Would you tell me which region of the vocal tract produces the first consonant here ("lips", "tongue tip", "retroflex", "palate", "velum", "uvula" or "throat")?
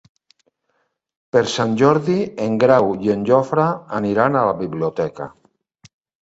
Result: lips